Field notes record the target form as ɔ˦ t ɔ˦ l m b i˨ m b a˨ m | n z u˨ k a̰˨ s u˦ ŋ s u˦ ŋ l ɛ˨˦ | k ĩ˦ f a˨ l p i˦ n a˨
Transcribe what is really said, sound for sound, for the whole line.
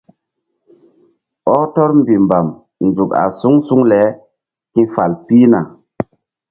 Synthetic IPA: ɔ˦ t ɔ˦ ɾ m b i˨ m b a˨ m | n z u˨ k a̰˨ s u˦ ŋ s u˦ ŋ l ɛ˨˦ | k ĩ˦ f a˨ l p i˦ n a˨